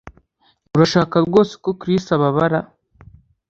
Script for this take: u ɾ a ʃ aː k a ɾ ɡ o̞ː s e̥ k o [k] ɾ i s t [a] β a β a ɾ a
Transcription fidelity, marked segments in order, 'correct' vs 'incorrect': correct, correct

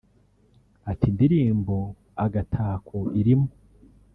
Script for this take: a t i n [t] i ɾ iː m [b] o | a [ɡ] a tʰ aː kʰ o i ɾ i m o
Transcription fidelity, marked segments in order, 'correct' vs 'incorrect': incorrect, correct, correct

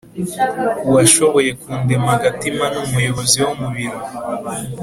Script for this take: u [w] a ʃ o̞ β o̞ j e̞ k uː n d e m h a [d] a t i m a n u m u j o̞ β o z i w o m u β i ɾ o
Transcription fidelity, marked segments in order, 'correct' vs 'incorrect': correct, incorrect

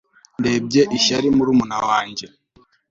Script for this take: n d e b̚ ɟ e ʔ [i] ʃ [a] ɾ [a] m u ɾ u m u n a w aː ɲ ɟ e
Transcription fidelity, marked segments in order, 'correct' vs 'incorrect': correct, correct, incorrect

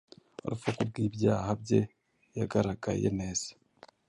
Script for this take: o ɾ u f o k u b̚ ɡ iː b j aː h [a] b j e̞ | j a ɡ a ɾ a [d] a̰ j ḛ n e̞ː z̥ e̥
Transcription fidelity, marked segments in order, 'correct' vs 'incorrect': correct, incorrect

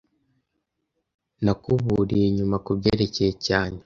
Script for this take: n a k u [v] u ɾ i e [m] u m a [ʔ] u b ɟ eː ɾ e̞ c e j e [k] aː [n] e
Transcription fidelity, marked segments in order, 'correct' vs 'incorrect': incorrect, incorrect, incorrect, incorrect, incorrect

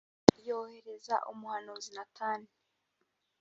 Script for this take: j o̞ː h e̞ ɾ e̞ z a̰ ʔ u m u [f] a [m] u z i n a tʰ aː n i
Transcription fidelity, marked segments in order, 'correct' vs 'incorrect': incorrect, incorrect

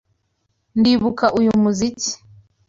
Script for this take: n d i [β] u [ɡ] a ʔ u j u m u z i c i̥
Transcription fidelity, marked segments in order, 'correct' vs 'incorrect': correct, incorrect

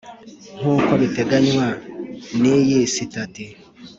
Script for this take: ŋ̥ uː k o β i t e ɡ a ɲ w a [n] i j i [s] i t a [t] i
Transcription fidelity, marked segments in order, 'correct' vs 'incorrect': correct, correct, correct

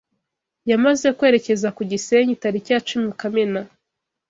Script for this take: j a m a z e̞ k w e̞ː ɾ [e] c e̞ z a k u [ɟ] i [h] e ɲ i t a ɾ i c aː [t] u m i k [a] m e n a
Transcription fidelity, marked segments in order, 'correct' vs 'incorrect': correct, correct, incorrect, incorrect, correct

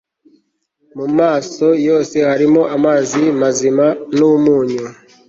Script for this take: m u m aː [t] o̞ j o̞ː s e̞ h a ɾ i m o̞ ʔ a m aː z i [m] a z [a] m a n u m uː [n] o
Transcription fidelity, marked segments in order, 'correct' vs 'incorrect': incorrect, correct, incorrect, incorrect

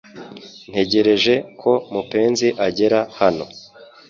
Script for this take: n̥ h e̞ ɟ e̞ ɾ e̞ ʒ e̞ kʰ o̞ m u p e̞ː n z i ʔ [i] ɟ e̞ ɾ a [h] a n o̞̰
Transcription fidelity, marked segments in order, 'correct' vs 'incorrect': incorrect, correct

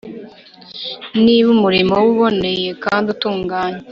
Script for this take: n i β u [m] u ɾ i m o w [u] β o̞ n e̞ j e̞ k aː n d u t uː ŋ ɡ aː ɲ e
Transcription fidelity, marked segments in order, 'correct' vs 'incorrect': correct, correct

